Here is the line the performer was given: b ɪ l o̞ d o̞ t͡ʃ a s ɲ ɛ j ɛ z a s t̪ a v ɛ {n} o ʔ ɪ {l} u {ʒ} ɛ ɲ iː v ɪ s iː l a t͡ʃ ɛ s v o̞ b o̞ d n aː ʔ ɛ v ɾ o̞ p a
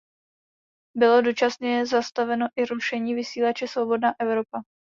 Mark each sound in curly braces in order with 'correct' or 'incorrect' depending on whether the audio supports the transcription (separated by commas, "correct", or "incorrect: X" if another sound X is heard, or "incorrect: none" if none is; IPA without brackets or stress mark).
correct, incorrect: ɾ, incorrect: ʃ